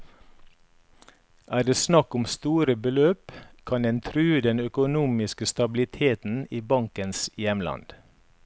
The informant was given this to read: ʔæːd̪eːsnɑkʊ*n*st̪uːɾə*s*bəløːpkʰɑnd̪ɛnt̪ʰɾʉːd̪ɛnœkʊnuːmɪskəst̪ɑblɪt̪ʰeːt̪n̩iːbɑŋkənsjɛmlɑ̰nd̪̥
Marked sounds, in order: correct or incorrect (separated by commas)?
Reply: incorrect, incorrect